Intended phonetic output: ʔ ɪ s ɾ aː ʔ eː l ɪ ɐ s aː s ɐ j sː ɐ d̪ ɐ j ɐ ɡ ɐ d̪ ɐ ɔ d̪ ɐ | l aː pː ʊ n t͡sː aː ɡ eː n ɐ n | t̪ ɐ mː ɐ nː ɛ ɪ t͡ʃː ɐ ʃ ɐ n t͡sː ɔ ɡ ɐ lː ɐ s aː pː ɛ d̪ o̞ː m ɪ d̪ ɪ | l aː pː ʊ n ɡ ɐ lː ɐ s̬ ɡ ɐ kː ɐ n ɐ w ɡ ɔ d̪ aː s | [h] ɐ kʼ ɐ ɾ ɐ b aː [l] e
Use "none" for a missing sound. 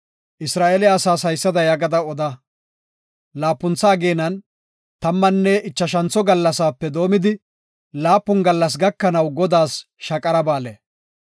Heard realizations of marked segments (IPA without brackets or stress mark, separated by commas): ʃ, l